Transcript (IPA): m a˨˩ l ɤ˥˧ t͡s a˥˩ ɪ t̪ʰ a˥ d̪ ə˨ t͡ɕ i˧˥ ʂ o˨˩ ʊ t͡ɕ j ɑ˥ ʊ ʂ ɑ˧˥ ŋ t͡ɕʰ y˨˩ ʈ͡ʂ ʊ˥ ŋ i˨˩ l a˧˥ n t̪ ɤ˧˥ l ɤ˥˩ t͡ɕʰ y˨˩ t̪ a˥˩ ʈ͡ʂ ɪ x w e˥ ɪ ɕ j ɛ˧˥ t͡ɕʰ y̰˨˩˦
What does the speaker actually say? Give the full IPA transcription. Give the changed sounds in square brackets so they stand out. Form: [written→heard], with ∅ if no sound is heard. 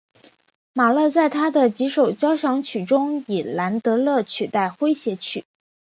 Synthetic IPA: m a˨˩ l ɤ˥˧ t͡s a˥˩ ɪ t̪ʰ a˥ d̪ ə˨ t͡ɕ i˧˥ ʂ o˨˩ ʊ t͡ɕ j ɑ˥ ʊ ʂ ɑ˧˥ ŋ t͡ɕʰ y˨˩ ʈ͡ʂ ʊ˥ ŋ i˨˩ l a˧˥ n t̪ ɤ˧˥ l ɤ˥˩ t͡ɕʰ y˨˩ t̪ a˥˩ [ʈ͡ʂ→∅] ɪ x w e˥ ɪ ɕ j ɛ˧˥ t͡ɕʰ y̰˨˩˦